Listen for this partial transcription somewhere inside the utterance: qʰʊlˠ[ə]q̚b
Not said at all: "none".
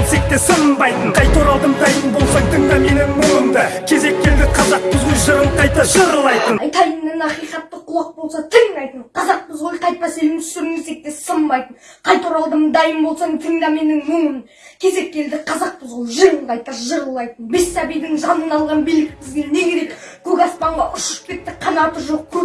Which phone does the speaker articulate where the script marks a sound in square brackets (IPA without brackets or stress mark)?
ɑ